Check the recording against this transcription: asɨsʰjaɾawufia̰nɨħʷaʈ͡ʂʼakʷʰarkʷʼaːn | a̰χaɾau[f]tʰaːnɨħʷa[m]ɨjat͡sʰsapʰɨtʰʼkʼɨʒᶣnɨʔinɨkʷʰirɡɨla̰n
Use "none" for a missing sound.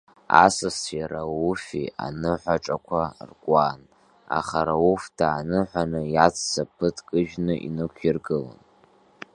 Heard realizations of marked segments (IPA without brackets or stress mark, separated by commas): f, n